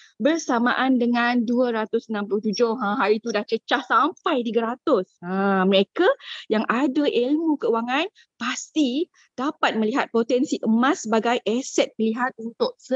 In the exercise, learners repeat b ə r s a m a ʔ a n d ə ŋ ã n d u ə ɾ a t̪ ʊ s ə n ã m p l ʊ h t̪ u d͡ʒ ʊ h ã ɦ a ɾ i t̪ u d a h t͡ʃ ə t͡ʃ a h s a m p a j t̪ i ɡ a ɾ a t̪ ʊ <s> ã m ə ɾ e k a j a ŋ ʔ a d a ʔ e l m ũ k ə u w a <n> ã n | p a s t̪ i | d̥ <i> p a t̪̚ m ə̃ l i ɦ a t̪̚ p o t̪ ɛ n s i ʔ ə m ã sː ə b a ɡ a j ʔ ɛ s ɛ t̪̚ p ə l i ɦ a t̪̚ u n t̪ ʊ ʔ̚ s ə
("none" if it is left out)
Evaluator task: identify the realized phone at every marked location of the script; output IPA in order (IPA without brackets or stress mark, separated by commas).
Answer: s, ŋ, a